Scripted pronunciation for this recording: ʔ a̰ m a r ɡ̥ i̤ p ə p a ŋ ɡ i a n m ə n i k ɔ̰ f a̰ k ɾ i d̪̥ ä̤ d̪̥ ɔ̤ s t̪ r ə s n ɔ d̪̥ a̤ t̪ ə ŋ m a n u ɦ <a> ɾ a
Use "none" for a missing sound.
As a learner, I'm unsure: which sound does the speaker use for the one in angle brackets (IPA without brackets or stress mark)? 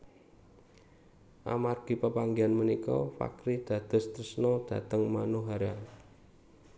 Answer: a